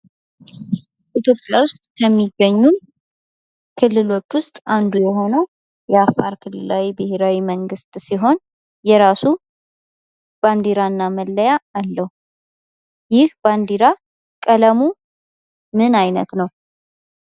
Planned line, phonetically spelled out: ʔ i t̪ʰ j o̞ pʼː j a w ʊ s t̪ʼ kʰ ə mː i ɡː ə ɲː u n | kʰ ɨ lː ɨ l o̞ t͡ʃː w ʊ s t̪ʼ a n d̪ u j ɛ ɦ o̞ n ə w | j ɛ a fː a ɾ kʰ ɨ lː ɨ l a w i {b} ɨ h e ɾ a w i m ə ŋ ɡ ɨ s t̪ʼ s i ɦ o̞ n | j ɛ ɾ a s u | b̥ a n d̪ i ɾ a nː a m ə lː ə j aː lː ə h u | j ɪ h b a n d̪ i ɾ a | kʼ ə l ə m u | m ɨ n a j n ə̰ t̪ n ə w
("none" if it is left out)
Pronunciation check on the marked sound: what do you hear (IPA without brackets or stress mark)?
b